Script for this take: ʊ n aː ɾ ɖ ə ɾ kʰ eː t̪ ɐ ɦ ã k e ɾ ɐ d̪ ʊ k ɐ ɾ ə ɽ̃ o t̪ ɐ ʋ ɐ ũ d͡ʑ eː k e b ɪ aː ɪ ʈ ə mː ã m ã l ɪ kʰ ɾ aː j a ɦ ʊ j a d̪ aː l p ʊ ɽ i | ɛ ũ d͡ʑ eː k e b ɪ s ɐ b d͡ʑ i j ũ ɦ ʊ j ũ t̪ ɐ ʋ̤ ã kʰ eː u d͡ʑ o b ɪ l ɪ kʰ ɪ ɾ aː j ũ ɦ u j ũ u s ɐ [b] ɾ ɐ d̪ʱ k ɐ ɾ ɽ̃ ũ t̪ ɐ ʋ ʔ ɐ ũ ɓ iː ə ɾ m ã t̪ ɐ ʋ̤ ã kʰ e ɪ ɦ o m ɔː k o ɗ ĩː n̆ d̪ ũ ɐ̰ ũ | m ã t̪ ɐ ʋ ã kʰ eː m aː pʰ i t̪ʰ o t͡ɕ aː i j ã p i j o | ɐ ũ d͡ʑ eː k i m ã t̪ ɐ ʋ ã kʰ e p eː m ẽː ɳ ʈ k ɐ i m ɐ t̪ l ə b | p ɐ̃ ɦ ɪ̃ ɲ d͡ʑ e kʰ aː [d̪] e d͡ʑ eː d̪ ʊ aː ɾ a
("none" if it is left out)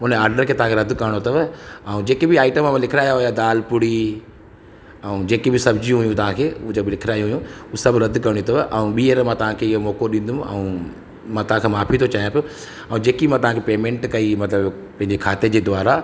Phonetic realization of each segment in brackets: b, t̪

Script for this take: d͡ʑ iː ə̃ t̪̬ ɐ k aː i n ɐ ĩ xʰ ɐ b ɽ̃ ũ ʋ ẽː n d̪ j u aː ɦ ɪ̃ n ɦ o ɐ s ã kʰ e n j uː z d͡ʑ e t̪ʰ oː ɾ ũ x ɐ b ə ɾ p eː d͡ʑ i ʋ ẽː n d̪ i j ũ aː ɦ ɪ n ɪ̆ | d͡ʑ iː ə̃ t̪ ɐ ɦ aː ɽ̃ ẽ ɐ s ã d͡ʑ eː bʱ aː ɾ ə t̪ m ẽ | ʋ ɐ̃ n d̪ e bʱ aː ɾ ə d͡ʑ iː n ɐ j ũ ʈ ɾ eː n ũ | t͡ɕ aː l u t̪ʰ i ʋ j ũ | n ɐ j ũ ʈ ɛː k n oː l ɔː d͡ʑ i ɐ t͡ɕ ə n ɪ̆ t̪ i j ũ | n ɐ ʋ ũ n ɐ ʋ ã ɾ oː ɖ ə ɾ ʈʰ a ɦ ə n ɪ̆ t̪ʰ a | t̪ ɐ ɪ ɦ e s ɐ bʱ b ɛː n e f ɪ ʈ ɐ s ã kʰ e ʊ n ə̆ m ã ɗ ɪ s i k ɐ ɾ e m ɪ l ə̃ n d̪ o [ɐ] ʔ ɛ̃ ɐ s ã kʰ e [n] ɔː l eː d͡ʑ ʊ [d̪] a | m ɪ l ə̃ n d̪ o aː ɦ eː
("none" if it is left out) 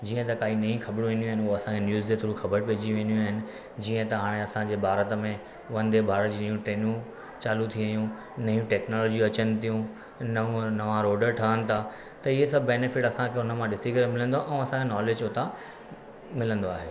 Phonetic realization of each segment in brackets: a, n, t̪

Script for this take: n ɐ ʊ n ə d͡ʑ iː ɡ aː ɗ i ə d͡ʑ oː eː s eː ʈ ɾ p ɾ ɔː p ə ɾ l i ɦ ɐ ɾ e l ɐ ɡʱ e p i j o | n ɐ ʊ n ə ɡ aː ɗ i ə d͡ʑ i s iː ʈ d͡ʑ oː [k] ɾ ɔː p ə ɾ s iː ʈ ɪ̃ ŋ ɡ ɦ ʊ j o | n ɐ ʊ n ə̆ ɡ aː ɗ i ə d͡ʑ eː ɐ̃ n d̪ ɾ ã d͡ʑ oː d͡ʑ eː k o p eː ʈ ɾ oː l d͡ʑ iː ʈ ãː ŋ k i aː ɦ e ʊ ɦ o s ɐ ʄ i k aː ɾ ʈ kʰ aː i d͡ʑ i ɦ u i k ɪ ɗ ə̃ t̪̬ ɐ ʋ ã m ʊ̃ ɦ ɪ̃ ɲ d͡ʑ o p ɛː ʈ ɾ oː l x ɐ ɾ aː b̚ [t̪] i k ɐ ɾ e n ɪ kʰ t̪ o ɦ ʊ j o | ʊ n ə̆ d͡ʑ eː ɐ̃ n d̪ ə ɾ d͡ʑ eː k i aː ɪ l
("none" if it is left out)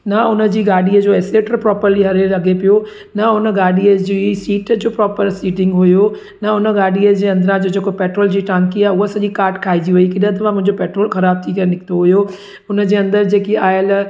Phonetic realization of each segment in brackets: p, t̪ʰ

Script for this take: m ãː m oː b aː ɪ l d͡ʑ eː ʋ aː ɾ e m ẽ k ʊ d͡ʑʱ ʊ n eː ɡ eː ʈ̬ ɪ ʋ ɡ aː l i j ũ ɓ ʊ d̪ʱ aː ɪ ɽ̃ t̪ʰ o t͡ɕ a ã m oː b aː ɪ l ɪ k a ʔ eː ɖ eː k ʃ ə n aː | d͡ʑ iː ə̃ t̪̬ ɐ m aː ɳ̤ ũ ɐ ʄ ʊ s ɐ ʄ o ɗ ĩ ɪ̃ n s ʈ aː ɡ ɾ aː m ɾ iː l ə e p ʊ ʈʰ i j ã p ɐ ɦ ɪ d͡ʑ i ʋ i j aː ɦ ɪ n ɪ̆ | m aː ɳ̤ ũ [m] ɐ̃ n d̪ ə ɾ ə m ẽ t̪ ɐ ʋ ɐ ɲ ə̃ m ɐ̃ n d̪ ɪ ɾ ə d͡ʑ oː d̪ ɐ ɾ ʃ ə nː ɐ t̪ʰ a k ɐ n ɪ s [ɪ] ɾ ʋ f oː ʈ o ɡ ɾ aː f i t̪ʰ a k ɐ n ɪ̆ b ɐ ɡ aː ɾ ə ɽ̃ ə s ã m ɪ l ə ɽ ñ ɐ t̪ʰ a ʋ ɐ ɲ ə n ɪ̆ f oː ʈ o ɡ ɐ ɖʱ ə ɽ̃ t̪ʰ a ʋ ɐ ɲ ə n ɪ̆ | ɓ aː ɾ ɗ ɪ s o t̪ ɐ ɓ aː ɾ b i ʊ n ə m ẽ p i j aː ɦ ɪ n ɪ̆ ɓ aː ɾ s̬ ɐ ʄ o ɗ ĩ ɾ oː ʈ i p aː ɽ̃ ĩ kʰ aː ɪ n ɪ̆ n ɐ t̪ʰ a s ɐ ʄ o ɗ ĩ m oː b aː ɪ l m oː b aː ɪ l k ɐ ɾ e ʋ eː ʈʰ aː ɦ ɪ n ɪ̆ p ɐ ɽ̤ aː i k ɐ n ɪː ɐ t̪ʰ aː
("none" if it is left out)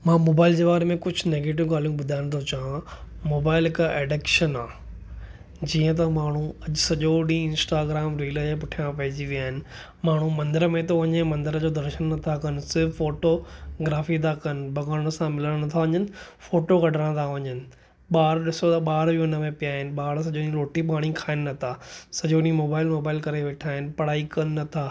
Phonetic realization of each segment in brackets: m, ɪ

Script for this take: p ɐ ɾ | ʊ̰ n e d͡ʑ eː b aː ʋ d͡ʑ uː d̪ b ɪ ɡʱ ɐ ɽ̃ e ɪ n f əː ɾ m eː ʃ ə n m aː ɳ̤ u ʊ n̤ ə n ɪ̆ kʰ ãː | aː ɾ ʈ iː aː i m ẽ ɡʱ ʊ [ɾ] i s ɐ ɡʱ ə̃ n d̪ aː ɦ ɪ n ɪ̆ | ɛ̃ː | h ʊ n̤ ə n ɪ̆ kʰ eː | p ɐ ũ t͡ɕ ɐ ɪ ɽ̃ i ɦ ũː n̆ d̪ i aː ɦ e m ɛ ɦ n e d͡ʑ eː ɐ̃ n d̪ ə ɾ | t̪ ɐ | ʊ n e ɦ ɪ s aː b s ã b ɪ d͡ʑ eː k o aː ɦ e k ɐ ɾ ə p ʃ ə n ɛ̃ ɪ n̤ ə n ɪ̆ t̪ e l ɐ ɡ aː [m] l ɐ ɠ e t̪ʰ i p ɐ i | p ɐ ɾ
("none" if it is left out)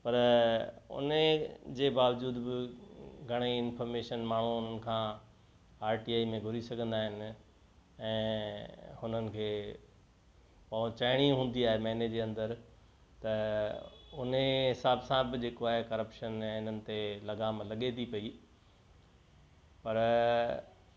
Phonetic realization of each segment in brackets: ɾ, m

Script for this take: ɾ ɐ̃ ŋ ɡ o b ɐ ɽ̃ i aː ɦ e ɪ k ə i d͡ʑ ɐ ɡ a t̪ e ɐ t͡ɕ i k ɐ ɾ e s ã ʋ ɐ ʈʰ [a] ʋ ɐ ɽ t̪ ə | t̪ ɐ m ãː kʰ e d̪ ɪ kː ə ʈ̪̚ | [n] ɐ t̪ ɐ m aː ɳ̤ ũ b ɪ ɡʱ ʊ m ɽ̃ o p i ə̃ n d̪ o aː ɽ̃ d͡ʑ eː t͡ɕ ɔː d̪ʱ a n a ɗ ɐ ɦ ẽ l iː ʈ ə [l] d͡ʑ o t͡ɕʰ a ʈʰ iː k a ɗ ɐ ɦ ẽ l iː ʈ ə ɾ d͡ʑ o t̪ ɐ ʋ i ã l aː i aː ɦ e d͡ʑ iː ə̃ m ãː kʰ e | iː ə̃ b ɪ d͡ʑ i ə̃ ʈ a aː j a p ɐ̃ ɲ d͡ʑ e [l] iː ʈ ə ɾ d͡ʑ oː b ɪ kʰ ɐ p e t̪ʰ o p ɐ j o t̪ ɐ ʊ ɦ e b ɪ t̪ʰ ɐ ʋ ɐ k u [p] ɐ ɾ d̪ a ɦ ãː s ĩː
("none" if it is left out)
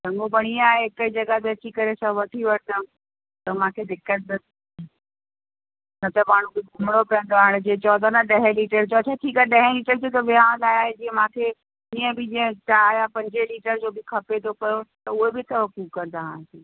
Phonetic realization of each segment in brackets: i, n, ɾ, l, k

